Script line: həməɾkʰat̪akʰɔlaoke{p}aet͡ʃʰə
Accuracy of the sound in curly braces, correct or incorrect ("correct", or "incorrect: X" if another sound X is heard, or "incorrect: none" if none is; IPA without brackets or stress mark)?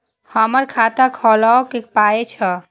correct